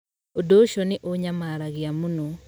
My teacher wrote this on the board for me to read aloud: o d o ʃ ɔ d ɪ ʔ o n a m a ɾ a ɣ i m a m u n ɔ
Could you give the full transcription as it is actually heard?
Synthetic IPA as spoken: o d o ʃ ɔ n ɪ ʔ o ɲ a m a ɾ a ɣ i a m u n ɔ